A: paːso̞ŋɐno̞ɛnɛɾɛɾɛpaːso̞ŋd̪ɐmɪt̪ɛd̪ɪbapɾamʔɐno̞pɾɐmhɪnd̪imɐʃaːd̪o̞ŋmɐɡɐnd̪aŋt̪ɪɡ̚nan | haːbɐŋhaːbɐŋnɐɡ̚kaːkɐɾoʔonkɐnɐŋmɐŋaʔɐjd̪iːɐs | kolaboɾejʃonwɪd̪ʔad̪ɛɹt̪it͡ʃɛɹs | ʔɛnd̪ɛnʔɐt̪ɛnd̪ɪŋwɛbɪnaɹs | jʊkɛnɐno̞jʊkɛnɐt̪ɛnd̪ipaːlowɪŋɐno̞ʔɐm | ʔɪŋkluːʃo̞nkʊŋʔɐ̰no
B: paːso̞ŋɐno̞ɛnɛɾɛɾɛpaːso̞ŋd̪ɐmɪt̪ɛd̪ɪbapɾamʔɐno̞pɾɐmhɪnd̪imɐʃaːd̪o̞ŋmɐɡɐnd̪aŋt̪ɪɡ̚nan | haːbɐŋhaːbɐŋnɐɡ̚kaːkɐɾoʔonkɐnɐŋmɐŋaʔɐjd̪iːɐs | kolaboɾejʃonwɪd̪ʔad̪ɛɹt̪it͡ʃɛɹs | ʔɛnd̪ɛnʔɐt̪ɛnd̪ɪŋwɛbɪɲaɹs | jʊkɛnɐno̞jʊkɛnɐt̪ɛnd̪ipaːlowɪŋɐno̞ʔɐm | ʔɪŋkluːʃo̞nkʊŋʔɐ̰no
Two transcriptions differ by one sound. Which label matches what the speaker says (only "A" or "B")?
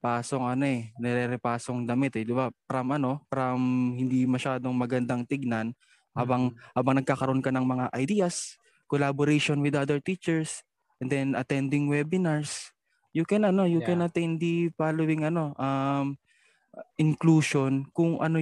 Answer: A